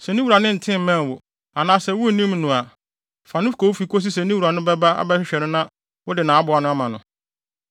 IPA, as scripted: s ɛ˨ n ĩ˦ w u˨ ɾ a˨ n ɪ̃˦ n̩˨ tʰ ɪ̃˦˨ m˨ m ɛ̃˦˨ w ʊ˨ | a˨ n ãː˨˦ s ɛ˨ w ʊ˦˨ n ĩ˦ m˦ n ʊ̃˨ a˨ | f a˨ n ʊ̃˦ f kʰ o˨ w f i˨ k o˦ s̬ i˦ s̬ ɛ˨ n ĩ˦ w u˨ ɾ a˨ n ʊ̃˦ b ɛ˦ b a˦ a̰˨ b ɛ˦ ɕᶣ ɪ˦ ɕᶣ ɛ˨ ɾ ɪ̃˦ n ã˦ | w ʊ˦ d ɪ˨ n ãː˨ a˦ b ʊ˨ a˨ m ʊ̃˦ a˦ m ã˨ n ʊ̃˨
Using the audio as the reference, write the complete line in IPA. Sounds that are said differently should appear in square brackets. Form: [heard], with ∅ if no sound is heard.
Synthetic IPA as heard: s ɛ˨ n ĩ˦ w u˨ ɾ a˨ n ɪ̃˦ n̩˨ tʰ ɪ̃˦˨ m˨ m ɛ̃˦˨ w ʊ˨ | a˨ n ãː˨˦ s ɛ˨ w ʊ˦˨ n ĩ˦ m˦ n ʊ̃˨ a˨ | f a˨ n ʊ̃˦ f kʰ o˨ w f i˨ k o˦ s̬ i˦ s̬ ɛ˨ n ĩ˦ w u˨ ɾ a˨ n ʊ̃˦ b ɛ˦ b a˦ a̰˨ b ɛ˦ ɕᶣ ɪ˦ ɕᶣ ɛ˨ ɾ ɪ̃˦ n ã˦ | w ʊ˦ d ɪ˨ n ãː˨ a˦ b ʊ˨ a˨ [n] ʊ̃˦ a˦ m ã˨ n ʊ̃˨